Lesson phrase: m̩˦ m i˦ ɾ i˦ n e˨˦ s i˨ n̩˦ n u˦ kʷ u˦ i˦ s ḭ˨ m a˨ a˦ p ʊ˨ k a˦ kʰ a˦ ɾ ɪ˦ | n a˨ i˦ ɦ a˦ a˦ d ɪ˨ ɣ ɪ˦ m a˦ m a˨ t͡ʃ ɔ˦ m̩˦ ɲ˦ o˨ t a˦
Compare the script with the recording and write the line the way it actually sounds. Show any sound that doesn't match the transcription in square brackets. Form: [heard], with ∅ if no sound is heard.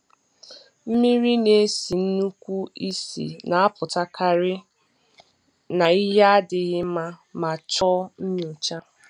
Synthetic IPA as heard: m̩˦ m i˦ ɾ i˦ n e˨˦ s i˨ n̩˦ n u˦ kʷ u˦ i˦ s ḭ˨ [n] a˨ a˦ p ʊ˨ [t] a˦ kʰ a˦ ɾ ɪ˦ | n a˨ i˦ ɦ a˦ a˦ d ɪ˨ ɣ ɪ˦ m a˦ m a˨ t͡ʃ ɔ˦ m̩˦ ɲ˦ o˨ [t͡ʃ] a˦